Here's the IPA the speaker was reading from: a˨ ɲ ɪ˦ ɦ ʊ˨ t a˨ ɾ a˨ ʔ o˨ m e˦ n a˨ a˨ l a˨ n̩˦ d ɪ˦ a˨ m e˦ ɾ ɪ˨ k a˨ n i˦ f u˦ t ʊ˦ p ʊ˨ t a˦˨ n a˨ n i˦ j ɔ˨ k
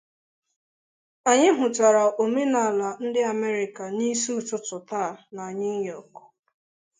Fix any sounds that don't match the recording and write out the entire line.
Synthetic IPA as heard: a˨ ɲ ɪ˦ ɦ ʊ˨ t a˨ ɾ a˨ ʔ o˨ m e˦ n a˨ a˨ l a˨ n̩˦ d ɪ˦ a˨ m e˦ ɾ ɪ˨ k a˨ n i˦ s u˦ t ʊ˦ t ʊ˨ t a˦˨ n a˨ ɲ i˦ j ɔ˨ k

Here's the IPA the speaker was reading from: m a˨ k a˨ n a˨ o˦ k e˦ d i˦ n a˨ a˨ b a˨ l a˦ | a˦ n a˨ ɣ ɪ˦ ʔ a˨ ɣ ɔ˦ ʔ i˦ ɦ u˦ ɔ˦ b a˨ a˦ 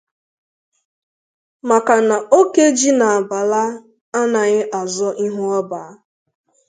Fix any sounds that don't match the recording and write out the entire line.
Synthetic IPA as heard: m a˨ k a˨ n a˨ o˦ k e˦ d͡ʒ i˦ n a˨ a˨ b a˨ l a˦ | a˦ n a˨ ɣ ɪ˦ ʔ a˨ z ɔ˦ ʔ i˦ ɦ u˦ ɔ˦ b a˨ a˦

